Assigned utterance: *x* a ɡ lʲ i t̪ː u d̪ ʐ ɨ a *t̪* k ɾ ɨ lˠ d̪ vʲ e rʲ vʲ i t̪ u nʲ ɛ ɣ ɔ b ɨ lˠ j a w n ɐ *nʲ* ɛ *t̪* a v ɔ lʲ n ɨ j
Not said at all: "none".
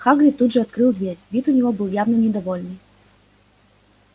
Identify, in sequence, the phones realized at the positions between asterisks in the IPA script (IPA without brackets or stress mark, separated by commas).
x, t̪, nʲ, d̪